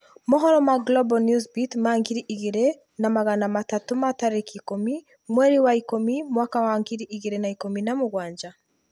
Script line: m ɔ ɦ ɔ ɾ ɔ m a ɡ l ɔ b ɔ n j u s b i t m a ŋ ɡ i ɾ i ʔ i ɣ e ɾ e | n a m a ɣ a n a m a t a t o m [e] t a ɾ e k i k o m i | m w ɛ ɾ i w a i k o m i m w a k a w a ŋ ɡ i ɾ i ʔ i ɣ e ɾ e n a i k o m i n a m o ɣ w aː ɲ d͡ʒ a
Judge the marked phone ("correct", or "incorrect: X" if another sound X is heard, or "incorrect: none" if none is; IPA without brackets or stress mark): incorrect: a